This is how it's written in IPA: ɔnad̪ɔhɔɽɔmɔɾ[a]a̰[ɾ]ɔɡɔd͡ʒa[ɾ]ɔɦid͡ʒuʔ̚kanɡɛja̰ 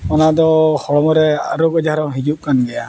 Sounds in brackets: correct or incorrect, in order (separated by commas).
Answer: incorrect, correct, correct